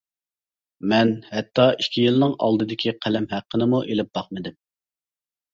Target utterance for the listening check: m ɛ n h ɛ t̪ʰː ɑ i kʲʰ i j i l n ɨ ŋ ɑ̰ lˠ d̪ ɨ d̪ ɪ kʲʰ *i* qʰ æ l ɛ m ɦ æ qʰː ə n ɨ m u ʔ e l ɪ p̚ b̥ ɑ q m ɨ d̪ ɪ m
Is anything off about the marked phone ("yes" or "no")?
no